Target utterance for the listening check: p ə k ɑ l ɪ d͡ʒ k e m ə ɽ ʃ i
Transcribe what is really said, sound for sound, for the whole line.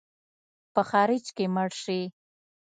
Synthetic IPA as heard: p ə x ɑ ɾ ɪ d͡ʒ k e m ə ɽ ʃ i